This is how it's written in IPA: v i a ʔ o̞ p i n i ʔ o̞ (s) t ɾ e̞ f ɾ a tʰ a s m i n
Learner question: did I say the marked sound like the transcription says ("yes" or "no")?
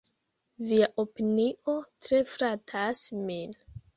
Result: no